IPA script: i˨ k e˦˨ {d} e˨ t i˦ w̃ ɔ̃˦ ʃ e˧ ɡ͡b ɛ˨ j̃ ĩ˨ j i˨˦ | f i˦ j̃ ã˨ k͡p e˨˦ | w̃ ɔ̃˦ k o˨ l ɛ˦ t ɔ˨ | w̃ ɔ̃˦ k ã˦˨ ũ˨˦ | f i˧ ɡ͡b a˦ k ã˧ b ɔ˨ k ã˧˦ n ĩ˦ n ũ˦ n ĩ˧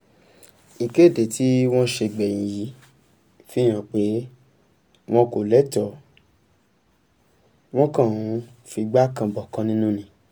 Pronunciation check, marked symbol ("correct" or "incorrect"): correct